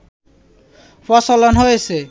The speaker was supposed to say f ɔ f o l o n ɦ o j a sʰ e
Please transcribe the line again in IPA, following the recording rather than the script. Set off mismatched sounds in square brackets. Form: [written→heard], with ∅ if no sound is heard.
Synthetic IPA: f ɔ [f→s] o l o n ɦ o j [a→e] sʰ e